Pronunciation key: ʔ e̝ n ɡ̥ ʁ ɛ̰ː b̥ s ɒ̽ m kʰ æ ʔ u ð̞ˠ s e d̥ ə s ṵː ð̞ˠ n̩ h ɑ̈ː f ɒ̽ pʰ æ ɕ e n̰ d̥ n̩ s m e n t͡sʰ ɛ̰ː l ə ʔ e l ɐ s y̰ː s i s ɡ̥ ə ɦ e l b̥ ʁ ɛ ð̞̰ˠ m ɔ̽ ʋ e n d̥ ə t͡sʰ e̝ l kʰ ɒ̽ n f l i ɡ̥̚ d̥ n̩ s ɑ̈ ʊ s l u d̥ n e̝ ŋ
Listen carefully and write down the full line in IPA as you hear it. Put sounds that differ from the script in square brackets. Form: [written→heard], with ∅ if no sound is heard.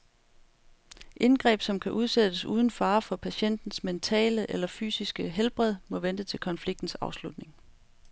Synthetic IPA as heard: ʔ e̝ n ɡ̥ ʁ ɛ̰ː b̥ s ɒ̽ m kʰ æ ʔ u ð̞ˠ s e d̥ ə s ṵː ð̞ˠ n̩ [h→f] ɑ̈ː f ɒ̽ pʰ æ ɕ e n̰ d̥ n̩ s m e n t͡sʰ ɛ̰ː l ə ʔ e l ɐ [s→f] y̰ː s i s ɡ̥ ə ɦ e l b̥ ʁ ɛ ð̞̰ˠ m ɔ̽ ʋ e n d̥ ə t͡sʰ e̝ l kʰ ɒ̽ n f l i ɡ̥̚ d̥ n̩ s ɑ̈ ʊ s l u d̥ n e̝ ŋ